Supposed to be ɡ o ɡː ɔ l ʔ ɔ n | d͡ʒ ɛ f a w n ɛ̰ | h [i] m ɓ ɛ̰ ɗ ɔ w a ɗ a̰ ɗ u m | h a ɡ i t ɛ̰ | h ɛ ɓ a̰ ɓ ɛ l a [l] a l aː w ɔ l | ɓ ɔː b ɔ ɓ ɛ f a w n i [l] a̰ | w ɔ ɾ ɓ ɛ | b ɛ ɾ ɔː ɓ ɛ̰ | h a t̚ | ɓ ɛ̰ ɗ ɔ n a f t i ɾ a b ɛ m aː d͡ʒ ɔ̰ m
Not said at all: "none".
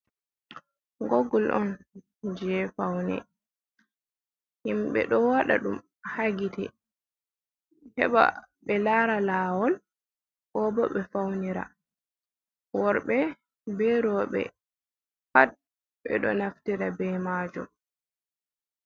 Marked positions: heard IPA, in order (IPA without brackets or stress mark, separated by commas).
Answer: i, ɾ, ɾ